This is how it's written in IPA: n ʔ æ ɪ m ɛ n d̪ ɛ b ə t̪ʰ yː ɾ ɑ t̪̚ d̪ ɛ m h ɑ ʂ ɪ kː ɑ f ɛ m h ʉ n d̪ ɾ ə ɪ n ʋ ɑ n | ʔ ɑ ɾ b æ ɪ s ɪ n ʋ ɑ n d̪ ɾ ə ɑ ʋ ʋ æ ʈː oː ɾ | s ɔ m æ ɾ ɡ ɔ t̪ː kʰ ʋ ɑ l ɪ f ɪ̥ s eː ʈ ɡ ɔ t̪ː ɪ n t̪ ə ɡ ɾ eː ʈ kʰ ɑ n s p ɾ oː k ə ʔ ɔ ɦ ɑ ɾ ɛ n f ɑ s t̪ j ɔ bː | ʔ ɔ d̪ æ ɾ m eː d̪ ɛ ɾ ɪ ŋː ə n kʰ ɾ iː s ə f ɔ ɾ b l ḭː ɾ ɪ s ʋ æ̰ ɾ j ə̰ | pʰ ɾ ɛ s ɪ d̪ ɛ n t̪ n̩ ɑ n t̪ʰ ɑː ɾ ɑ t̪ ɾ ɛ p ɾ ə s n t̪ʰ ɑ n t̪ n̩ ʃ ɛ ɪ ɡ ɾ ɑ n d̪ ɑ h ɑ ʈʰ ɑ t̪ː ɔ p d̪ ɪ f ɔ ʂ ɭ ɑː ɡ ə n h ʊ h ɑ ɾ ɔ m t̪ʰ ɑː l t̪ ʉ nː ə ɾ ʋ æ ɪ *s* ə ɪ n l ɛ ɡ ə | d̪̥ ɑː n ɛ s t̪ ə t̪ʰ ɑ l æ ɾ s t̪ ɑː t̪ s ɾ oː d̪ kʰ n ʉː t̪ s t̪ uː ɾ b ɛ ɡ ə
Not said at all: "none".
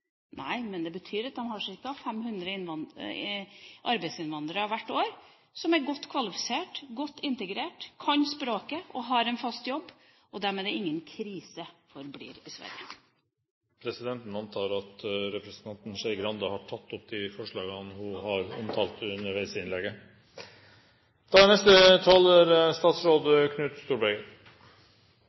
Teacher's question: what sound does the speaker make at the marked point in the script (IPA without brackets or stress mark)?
s